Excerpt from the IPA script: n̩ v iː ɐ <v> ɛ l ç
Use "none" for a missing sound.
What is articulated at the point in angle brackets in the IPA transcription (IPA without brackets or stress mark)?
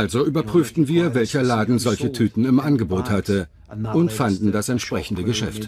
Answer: v